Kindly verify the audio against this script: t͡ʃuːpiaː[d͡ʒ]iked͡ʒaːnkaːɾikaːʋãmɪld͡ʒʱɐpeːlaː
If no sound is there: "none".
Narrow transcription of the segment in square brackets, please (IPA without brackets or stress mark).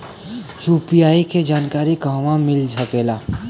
none